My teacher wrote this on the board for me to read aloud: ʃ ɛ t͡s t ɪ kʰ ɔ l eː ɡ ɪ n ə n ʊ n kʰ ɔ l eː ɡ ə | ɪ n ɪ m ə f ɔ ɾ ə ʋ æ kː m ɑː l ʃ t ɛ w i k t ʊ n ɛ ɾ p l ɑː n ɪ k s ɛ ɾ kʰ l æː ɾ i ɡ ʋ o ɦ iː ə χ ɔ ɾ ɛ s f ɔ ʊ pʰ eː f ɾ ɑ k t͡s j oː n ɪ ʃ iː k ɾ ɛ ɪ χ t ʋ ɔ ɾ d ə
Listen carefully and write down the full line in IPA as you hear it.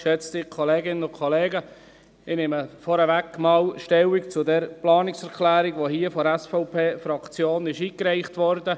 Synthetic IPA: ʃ ɛ t͡s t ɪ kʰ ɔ l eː ɡ ɪ n ə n ʊ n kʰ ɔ l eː ɡ ə | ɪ n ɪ m ə f ɔ ɾ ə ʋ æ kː m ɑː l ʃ t ɛ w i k t͡s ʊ d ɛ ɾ p l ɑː n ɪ k s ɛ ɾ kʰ l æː ɾ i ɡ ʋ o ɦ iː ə f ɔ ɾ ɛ s f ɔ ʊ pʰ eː f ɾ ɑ k t͡s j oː n ɪ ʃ iː k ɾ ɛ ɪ χ t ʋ ɔ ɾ d ə